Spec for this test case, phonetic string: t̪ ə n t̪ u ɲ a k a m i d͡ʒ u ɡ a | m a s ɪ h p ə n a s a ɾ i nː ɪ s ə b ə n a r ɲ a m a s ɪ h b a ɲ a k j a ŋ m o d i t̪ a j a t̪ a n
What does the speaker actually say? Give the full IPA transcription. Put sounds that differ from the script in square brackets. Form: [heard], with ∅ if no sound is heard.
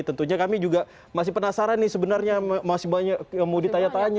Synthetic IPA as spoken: t̪ ə n t̪ u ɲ a k a m i d͡ʒ u ɡ a | m a s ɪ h p ə n a s a ɾ [a] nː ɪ s ə b ə n a r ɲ a m a s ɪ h b a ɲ a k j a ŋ m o d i t̪ a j a t̪ a [ɲ]